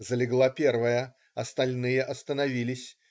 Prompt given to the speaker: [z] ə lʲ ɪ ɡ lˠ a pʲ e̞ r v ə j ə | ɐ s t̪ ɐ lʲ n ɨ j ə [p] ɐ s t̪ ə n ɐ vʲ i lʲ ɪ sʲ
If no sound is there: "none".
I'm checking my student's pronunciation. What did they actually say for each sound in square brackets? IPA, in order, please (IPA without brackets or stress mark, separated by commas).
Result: z, ʔ